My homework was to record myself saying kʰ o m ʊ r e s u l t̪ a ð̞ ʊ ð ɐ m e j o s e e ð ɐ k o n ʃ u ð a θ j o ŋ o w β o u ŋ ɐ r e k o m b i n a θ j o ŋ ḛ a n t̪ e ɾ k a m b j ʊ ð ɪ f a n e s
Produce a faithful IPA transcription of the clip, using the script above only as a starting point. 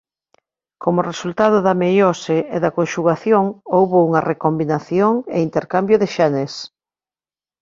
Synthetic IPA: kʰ o m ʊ r e s u l t̪ a ð̞ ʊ ð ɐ m e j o s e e ð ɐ k o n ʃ u ɣ a θ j o ŋ o w β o u ŋ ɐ r e k o m b i n a θ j o ŋ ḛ i n t̪ e ɾ k a m b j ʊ ð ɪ ʃ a n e s